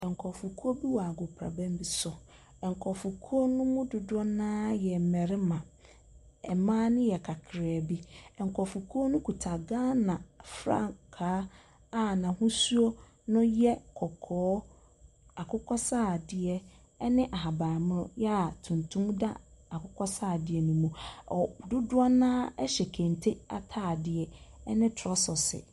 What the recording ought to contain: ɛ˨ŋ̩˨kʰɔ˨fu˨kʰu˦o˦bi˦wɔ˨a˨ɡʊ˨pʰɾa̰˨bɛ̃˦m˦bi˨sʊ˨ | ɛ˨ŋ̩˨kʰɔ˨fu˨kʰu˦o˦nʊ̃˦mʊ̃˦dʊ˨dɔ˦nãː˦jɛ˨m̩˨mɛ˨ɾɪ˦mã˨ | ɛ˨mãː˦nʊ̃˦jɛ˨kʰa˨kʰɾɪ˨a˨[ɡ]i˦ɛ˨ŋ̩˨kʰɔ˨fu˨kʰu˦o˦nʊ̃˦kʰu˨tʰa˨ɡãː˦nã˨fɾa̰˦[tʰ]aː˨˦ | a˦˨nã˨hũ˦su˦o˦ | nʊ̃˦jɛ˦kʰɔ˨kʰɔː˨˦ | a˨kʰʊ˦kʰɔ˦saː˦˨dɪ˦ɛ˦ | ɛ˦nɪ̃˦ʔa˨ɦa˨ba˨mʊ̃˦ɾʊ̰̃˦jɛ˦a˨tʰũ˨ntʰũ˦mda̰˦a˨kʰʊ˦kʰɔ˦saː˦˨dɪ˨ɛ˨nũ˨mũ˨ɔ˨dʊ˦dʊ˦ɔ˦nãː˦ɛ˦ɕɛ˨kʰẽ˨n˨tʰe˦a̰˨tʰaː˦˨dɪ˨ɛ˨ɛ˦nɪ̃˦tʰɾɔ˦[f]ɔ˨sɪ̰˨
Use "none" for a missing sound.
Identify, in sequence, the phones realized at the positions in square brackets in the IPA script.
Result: b, kʰ, s

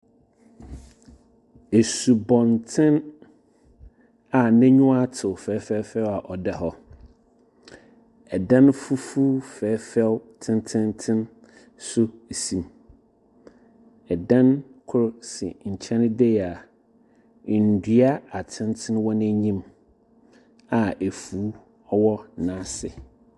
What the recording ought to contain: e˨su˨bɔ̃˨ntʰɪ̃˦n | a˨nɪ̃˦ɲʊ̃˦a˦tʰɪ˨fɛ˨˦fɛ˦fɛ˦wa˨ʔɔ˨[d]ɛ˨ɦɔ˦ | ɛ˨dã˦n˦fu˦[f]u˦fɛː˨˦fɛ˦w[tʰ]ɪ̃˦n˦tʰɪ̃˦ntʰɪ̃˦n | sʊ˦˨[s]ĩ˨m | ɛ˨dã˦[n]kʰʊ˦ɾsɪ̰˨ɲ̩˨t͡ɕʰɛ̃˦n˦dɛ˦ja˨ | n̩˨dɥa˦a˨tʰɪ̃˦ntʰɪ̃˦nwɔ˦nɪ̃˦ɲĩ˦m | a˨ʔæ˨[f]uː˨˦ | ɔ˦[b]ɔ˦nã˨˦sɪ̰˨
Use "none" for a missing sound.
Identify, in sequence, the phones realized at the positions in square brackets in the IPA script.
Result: d, f, tʰ, s, n, f, w

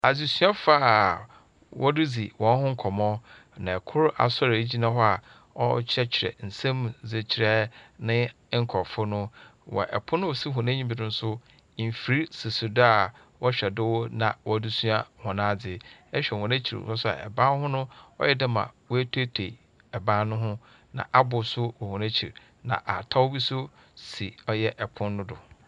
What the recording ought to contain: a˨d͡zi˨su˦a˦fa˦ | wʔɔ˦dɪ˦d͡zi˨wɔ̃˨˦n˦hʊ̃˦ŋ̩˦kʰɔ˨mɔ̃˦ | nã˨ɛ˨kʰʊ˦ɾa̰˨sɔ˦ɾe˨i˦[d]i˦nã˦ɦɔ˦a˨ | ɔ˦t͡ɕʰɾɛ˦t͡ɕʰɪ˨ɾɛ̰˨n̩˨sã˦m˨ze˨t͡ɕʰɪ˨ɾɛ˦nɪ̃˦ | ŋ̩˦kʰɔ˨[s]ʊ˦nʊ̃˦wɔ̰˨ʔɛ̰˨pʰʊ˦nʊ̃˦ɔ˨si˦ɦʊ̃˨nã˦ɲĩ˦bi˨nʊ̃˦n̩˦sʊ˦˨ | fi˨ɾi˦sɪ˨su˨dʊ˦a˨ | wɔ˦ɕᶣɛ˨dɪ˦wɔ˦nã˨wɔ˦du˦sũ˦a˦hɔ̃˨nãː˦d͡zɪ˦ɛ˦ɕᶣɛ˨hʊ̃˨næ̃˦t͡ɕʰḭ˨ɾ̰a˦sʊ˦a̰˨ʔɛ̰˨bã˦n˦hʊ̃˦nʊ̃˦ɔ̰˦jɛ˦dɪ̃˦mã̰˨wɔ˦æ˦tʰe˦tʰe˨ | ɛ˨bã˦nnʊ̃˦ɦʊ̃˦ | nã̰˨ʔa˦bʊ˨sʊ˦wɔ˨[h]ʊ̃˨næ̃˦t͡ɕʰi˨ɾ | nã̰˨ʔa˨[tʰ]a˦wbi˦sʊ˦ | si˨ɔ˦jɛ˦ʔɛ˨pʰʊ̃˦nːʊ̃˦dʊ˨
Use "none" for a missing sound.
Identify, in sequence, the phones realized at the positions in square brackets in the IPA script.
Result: d͡ʑ, f, h, tʰ

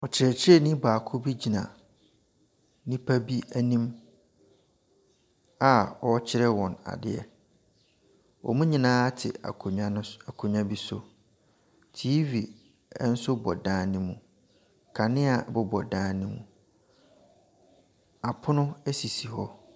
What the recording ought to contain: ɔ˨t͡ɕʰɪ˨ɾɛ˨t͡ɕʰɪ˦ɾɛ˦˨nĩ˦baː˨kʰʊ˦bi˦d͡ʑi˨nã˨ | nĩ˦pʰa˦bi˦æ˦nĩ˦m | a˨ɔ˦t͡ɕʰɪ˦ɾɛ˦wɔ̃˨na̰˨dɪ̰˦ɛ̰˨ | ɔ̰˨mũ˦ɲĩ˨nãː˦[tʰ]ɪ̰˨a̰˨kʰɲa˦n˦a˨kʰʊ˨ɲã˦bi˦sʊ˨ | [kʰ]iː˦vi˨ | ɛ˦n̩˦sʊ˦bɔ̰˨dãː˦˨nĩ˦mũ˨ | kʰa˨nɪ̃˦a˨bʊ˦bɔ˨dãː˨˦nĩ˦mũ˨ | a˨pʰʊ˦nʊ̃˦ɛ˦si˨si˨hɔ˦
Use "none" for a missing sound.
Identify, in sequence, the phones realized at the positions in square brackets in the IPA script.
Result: tʰ, tʰ

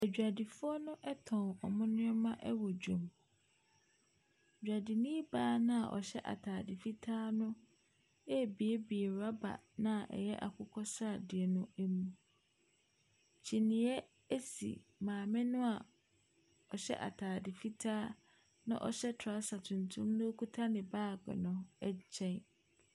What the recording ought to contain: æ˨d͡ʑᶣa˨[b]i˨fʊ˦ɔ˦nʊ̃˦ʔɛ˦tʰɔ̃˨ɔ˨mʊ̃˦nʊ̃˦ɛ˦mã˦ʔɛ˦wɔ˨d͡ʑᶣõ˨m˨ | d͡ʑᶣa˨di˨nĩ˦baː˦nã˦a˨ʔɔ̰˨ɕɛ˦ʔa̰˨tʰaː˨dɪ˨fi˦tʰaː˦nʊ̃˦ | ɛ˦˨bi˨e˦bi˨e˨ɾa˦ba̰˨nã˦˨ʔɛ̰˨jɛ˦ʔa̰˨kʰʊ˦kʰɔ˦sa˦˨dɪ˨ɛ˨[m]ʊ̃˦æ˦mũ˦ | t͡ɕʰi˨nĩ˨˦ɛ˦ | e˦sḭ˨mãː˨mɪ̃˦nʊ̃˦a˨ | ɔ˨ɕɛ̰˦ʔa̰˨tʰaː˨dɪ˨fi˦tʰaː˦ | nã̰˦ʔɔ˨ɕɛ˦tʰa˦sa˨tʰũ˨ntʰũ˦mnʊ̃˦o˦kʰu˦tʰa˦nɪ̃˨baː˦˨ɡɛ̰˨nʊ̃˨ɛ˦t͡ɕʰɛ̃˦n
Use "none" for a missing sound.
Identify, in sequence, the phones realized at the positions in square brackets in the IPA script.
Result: d, n

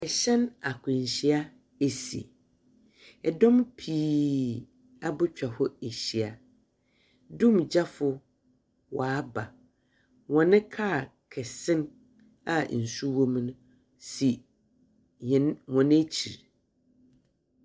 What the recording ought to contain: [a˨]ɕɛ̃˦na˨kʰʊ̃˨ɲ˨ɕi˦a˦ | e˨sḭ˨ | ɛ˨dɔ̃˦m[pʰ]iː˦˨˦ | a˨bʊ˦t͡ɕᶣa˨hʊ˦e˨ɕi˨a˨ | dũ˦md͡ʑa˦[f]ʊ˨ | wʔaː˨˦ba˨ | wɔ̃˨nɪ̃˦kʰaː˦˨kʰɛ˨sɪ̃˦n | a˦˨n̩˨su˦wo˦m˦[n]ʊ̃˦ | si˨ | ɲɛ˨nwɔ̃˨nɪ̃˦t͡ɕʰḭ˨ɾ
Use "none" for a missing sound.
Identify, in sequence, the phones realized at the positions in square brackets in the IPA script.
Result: ɛ˨, pʰ, f, n

